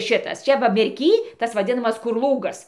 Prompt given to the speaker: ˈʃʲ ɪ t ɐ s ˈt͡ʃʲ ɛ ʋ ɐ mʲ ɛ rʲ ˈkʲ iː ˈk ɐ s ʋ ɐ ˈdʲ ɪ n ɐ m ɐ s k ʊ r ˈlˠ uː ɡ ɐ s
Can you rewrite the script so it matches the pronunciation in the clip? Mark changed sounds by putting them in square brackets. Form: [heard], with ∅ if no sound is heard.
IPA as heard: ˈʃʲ ɪ t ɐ s ˈt͡ʃʲ ɛ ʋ ɐ mʲ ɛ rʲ ˈkʲ iː [ˈt] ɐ s ʋ ɐ ˈdʲ ɪ n ɐ m ɐ s k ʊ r ˈlˠ uː ɡ ɐ s